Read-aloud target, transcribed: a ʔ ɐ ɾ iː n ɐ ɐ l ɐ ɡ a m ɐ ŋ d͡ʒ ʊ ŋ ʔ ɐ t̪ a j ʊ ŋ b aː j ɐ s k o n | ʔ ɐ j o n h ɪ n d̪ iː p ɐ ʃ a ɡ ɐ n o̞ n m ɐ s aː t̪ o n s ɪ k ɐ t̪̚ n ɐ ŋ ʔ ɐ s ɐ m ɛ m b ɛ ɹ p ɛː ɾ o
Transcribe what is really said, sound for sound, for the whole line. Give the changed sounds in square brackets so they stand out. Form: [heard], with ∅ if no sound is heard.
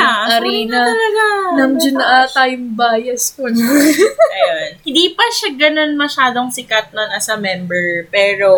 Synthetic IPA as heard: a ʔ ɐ ɾ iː n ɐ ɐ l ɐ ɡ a [n] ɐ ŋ d͡ʒ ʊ [n] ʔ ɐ t̪ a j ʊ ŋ b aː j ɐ s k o n | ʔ ɐ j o n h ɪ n d̪ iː p ɐ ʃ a ɡ ɐ n o̞ n m ɐ [ʃ] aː [d̪] o [ŋ] s ɪ k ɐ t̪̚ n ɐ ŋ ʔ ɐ s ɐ m ɛ m b ɛ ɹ p ɛː ɾ o